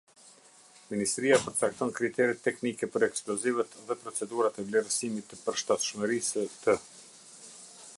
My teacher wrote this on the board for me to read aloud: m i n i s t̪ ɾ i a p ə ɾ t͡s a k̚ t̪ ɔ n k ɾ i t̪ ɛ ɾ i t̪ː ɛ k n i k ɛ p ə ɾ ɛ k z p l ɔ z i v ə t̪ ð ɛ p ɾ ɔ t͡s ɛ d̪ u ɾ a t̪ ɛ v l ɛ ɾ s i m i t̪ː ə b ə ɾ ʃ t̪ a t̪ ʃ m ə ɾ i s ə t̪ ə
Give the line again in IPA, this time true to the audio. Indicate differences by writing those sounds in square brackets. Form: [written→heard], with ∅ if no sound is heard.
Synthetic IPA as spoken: m i n i s t̪ ɾ i a p ə ɾ t͡s a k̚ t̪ ɔ n k ɾ i t̪ ɛ ɾ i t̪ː ɛ k n i k ɛ p ə ɾ ɛ k [z→s] p l ɔ z i v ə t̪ ð ɛ p ɾ ɔ t͡s ɛ d̪ u ɾ a t̪ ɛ v l ɛ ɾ s i m i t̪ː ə [b→p] ə ɾ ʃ t̪ a t̪ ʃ m ə ɾ i s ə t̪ ə

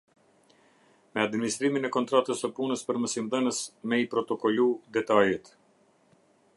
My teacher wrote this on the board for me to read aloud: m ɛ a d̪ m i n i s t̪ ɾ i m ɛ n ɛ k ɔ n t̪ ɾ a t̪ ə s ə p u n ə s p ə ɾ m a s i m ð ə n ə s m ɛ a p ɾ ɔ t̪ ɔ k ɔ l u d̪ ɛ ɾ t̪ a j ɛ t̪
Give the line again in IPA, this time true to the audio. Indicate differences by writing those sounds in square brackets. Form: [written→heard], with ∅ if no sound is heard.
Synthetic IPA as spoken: m ɛ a d̪ m i n i s t̪ ɾ i m [ɛ→i] n ɛ k ɔ n t̪ ɾ a t̪ ə s ə p u n ə s p ə ɾ m [a→ə] s i m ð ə n ə s m ɛ [a→i] p ɾ ɔ t̪ ɔ k ɔ l u d̪ ɛ [ɾ→∅] t̪ a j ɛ t̪

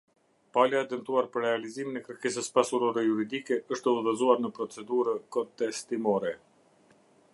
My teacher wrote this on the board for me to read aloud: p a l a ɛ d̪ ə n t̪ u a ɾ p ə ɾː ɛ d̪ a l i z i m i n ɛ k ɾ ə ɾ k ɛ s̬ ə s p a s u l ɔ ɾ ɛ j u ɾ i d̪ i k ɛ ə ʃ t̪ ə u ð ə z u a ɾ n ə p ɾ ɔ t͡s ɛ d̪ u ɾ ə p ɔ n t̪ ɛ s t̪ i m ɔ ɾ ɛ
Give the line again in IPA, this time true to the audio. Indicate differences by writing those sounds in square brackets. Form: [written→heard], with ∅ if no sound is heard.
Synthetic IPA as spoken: p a l a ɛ d̪ ə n t̪ u a ɾ p ə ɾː ɛ [d̪→∅] a l i z i m i n ɛ k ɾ ə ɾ k ɛ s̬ ə s p a s u [l→ɾ] ɔ ɾ ɛ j u ɾ i d̪ i k ɛ ə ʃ t̪ ə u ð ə z u a ɾ n ə p ɾ ɔ t͡s ɛ d̪ u ɾ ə [p→k] ɔ n t̪ ɛ s t̪ i m ɔ ɾ ɛ

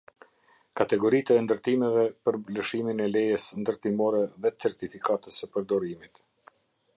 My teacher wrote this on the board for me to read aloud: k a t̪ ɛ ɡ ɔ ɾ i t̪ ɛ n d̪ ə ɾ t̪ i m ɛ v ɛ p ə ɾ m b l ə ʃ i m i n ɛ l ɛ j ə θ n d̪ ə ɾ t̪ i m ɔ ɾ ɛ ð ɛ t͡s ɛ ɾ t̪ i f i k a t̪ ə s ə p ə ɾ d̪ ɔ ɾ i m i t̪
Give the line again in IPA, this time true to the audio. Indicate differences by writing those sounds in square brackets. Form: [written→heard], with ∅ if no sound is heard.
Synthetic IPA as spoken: k a t̪ ɛ ɡ ɔ ɾ i t̪ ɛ n d̪ ə ɾ t̪ i m ɛ v ɛ p ə ɾ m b l ə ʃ i m i n ɛ l ɛ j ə [θ→s] n d̪ ə ɾ t̪ i m ɔ ɾ ɛ ð ɛ t͡s ɛ ɾ t̪ i f i k a t̪ ə s ə p ə ɾ d̪ ɔ ɾ i m i t̪

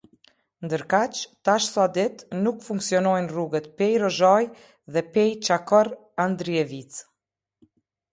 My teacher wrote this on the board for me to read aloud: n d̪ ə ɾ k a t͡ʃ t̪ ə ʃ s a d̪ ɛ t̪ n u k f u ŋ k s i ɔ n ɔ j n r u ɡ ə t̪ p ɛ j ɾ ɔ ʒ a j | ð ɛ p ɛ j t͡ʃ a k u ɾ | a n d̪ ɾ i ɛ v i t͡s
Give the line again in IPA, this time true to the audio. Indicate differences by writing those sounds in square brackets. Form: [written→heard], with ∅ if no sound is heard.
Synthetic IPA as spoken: n d̪ ə ɾ k a t͡ʃ t̪ [ə→a] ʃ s a d̪ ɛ t̪ n u k f u ŋ k s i ɔ n ɔ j n r u ɡ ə t̪ p ɛ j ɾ ɔ ʒ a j | ð ɛ p ɛ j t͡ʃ a k [u→ɔ] ɾ | a n d̪ ɾ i ɛ v i t͡s

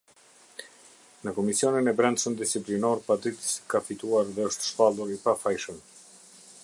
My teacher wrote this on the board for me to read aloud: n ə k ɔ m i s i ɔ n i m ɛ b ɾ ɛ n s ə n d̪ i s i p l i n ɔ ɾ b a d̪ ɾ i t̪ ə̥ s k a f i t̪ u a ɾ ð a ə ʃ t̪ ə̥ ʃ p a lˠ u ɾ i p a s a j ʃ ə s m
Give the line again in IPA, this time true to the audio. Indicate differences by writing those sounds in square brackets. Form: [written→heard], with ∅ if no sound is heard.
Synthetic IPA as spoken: n ə k ɔ m i s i ɔ n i [m→n] ɛ b ɾ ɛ n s ə n d̪ i s i p l i n ɔ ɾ [b→p] a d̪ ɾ i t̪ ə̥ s k a f i t̪ u a ɾ ð [a→ɛ] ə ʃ t̪ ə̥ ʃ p a lˠ u ɾ i p a [s→f] a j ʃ ə [s→∅] m

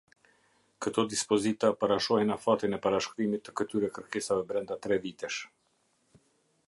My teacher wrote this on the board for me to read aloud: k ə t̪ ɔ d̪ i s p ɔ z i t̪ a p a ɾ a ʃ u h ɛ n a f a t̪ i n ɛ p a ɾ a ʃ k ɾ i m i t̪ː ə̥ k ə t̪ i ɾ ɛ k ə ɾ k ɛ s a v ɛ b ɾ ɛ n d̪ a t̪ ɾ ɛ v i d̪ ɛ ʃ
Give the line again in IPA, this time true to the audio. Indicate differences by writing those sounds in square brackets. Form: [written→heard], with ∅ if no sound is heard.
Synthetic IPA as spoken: k ə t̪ ɔ d̪ i s p ɔ z i t̪ a p a ɾ a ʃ [u→ɔ] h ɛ n a f a t̪ i n ɛ p a ɾ a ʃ k ɾ i m i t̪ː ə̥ k ə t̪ [i→y] ɾ ɛ k ə ɾ k ɛ s a v ɛ b ɾ ɛ n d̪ a t̪ ɾ ɛ v i [d̪→t̪] ɛ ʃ

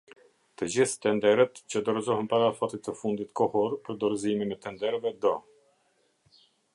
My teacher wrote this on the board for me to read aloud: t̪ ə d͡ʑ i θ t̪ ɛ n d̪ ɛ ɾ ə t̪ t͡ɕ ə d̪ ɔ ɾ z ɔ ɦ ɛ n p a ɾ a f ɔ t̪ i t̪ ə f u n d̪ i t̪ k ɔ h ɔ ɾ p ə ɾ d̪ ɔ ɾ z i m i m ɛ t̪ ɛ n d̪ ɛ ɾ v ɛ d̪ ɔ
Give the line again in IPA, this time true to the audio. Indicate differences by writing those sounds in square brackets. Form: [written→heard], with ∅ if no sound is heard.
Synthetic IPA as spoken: t̪ ə d͡ʑ i θ t̪ ɛ n d̪ ɛ ɾ ə t̪ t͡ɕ ə d̪ ɔ ɾ z ɔ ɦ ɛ n p a ɾ a f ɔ t̪ i t̪ ə f u n d̪ i t̪ k ɔ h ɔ ɾ p ə ɾ d̪ ɔ ɾ z i m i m ɛ t̪ ɛ n d̪ ɛ ɾ v ɛ d̪ ɔ

